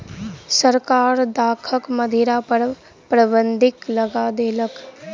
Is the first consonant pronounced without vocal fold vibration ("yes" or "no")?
yes